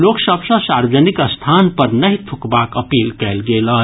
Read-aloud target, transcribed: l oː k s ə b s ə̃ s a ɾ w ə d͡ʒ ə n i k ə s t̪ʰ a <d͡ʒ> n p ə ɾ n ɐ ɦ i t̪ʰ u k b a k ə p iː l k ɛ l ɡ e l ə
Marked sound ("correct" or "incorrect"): incorrect